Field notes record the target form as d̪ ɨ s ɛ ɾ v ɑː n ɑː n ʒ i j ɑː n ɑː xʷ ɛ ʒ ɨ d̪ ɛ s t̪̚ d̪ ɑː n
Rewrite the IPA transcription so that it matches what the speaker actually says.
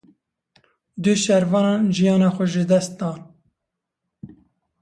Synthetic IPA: d̪ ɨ ʃ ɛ ɾ v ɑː n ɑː n ʒ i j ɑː n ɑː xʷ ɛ ʒ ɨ d̪ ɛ s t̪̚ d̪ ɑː n